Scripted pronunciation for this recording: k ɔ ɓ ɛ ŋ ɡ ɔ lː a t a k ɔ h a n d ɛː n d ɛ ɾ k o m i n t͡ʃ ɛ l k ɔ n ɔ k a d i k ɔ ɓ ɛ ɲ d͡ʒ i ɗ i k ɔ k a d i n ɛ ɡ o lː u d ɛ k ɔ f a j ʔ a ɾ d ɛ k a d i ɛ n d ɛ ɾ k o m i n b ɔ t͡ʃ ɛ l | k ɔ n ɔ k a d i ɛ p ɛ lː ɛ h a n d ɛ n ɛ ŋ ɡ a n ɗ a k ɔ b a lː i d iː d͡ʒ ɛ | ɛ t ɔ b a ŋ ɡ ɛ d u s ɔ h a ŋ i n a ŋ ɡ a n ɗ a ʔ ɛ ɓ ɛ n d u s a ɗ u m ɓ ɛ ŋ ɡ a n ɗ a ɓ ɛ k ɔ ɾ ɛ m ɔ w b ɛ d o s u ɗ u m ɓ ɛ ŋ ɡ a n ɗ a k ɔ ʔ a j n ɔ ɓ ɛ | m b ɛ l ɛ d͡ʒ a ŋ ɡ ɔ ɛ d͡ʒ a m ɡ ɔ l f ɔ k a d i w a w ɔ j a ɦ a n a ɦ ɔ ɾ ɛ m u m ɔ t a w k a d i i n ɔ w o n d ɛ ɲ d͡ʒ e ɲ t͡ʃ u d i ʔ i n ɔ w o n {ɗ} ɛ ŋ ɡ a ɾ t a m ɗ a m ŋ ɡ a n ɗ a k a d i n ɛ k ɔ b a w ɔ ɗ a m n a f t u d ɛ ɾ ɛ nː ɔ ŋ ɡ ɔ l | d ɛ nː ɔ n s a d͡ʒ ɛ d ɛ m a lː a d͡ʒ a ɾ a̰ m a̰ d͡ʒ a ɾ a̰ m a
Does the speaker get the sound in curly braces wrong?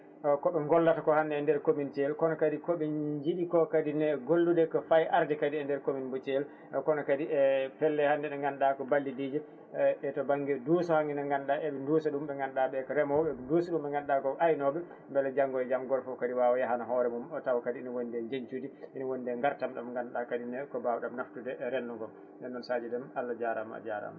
yes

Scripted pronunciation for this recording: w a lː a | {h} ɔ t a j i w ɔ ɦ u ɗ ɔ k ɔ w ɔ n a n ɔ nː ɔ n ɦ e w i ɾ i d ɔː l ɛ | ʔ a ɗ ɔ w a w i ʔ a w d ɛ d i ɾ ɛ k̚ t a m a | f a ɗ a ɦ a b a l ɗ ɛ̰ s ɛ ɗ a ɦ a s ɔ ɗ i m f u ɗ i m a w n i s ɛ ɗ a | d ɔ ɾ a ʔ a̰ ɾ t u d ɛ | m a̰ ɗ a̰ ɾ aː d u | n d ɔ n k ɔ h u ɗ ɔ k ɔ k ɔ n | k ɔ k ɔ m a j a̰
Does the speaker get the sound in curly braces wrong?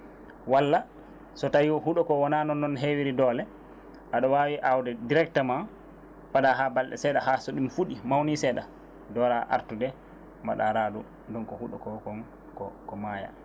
yes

